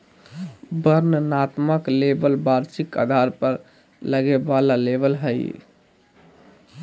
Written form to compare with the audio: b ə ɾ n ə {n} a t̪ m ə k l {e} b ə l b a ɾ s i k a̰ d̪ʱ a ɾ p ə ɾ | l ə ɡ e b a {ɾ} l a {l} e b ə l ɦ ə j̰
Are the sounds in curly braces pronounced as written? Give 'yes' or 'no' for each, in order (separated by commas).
yes, yes, no, yes